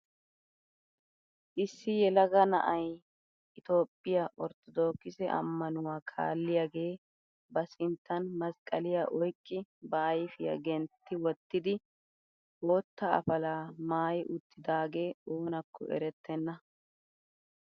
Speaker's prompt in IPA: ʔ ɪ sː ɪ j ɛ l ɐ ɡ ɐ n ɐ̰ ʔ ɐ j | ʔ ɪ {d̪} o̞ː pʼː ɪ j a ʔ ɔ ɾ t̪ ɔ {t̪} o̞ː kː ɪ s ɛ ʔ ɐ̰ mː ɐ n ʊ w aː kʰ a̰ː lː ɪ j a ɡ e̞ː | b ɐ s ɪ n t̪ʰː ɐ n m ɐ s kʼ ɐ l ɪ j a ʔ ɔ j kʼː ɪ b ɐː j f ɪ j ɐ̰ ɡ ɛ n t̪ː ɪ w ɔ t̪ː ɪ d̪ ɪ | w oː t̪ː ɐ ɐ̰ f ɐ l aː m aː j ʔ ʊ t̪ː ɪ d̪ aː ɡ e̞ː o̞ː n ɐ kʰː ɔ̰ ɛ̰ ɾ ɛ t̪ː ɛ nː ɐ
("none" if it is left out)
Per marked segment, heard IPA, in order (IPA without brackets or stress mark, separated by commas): t̪, d̪